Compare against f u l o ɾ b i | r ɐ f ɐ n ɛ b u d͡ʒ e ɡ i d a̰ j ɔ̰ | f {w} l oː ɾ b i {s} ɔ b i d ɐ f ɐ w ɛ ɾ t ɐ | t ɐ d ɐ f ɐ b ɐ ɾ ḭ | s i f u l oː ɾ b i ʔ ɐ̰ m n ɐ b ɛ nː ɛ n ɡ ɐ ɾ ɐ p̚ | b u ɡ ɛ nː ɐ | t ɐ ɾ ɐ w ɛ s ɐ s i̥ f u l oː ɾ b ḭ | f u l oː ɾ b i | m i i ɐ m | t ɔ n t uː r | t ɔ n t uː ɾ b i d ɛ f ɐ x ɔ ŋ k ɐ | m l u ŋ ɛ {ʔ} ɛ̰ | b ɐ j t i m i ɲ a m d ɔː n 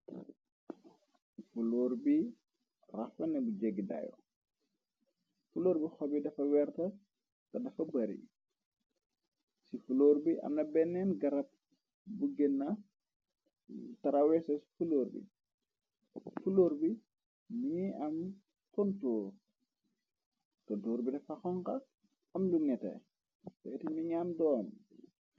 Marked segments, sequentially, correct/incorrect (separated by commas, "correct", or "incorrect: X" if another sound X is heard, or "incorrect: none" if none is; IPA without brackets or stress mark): incorrect: u, incorrect: x, incorrect: t